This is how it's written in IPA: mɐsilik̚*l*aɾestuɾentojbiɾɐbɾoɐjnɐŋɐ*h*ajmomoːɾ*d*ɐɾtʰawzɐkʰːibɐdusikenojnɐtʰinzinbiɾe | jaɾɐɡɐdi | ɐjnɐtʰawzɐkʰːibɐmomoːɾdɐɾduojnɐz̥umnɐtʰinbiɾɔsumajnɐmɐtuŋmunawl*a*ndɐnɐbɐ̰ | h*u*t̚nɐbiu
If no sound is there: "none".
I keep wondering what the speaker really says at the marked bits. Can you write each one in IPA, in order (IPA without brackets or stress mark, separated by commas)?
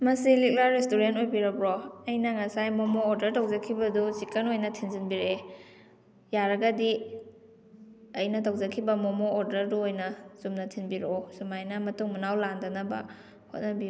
l, s, d, a, o